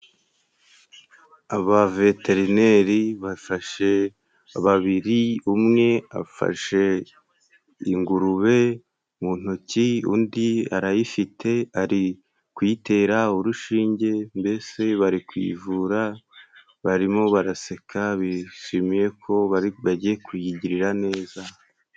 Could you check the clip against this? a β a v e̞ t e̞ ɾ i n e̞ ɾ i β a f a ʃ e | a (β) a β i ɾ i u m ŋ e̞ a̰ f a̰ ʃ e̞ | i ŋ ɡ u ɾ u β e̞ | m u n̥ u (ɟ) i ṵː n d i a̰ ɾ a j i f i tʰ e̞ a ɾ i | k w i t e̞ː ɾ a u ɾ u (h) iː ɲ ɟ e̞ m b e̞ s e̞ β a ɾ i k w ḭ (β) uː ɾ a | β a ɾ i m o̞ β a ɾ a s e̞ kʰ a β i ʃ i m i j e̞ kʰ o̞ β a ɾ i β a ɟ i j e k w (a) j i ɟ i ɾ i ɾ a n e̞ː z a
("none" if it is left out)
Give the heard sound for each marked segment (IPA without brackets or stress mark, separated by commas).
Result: β, c, ʃ, v, i